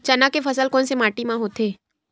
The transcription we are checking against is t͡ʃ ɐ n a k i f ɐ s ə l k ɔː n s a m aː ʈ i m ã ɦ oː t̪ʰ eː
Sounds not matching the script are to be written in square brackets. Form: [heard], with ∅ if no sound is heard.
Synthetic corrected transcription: t͡ʃ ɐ n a k [e] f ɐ s ə l k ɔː n s [e] m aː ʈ i m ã ɦ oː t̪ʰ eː